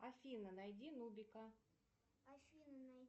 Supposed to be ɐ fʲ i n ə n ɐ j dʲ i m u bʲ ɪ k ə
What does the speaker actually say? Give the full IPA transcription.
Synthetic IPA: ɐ fʲ i n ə n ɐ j dʲ i n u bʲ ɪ k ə

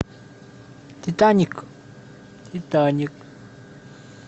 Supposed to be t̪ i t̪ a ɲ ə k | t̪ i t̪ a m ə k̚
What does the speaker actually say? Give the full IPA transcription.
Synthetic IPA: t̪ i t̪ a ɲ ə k | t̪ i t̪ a ɲ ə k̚

